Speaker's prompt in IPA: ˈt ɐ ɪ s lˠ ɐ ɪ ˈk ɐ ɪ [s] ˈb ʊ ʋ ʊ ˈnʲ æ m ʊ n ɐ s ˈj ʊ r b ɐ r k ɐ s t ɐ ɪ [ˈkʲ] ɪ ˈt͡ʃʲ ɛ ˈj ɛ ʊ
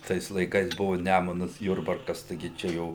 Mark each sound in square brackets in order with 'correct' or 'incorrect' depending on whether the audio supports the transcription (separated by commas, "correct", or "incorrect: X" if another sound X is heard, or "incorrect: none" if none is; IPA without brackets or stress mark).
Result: correct, incorrect: ɡʲ